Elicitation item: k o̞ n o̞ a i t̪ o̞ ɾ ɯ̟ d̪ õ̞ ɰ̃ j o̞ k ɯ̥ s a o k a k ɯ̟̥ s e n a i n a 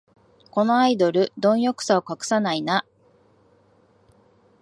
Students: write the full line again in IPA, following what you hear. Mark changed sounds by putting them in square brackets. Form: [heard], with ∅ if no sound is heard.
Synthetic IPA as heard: k o̞ n o̞ a i [d̪] o̞ ɾ ɯ̟ d̪ õ̞ ɰ̃ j o̞ k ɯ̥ s a o k a k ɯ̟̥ s [a] n a i n a